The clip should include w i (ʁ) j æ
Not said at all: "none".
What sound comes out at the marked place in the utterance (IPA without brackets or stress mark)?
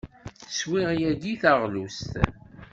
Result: ʁ